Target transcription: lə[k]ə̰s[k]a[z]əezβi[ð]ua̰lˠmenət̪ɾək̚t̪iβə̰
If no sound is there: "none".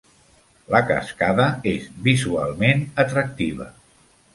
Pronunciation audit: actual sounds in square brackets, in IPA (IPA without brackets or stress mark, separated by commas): k, k, ð, z